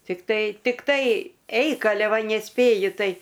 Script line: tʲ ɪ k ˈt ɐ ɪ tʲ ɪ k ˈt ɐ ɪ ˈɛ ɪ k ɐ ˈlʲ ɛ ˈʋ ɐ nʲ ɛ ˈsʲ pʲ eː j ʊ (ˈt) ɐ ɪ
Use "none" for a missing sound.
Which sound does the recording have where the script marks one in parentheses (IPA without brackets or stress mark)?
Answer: t